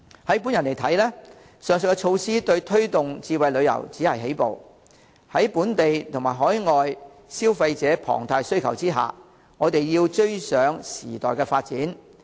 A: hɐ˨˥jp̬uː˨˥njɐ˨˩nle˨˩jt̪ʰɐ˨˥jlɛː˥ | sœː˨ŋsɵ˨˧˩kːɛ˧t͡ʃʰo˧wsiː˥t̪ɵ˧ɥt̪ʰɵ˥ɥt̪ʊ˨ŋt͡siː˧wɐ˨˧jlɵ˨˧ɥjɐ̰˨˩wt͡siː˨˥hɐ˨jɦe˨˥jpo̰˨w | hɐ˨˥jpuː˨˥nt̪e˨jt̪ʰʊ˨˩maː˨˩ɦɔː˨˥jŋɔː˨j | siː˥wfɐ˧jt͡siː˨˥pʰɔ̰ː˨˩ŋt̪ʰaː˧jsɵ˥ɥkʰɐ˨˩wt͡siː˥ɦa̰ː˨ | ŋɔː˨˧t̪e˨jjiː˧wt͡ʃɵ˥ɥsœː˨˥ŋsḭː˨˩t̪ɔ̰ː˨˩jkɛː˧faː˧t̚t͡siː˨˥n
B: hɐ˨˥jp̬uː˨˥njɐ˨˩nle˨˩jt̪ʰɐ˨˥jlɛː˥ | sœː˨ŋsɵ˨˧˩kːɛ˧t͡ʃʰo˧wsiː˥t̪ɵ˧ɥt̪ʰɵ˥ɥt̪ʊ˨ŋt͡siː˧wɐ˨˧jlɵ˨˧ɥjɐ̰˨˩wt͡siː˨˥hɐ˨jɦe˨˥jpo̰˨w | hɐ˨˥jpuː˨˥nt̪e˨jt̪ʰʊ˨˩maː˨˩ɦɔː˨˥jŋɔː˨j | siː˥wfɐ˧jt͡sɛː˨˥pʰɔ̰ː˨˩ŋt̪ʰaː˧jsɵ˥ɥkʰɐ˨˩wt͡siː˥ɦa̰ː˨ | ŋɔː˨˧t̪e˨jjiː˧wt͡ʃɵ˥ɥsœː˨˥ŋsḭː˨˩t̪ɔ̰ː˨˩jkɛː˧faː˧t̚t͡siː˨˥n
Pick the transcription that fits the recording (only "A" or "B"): B